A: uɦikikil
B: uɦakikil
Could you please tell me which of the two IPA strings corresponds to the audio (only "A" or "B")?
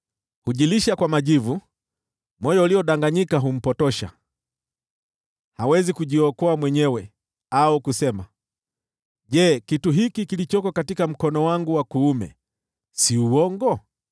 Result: A